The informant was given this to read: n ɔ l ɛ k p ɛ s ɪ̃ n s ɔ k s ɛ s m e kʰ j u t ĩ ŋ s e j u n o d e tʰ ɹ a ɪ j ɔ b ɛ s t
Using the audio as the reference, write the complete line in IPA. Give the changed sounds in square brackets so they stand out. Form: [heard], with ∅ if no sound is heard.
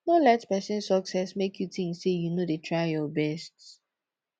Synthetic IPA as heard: n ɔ l ɛ [t] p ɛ s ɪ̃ n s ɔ k s ɛ s m e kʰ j u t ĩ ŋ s e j u n o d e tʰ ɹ a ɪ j ɔ b ɛ s t